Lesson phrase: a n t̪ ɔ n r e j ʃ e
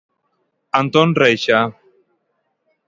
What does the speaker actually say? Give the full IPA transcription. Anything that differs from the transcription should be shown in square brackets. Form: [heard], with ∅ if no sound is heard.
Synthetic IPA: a n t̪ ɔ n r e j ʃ [a]